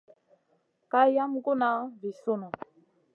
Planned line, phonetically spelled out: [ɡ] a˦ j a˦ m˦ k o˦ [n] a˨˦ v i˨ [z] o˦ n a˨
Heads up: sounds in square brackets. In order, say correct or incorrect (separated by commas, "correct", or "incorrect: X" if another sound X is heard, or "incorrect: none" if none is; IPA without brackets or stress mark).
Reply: incorrect: k, correct, incorrect: s